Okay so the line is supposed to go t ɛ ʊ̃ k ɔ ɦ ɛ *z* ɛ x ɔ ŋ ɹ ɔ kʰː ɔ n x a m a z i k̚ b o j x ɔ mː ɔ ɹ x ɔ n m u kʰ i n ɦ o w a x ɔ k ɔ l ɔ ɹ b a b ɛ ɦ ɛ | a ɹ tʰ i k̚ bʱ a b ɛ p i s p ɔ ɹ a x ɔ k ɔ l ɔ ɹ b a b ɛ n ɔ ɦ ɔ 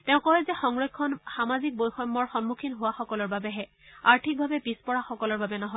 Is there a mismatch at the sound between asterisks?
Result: no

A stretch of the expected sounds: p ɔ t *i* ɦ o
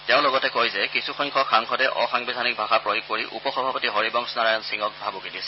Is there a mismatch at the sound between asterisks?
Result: no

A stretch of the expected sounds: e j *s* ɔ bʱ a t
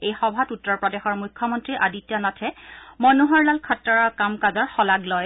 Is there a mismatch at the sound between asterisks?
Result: yes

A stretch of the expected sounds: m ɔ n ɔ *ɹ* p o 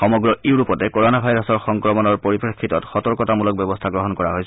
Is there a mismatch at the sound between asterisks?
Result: no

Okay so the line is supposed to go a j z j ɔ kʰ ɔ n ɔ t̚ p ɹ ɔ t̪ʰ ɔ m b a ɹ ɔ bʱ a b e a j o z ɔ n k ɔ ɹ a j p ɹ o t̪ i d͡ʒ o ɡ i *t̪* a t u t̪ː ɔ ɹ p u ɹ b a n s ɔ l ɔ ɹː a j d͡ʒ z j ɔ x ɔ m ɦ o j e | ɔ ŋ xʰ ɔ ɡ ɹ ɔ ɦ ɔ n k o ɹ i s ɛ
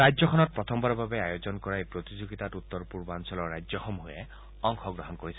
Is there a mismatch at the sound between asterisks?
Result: no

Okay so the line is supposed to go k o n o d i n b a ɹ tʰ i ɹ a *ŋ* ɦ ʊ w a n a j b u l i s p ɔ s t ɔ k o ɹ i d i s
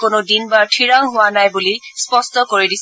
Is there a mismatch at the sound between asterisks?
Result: no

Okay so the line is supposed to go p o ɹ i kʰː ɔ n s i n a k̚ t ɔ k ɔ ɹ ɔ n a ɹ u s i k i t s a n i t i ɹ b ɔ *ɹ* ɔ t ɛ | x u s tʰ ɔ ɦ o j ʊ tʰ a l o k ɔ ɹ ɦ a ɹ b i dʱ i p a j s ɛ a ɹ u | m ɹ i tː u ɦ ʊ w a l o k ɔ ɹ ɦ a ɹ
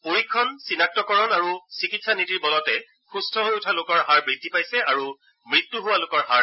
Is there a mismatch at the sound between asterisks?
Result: yes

